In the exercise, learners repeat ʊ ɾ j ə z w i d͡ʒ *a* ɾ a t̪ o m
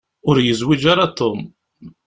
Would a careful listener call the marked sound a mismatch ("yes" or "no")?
no